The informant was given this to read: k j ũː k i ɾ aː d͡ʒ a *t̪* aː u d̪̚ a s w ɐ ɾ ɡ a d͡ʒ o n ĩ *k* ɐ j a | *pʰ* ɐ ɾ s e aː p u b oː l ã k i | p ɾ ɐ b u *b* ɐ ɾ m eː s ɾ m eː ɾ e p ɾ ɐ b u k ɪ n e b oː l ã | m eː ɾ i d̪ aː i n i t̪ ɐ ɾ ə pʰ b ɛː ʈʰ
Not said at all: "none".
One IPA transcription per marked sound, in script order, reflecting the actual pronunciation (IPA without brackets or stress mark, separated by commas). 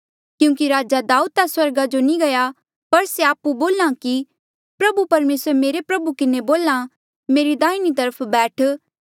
d̪, ɡ, p, p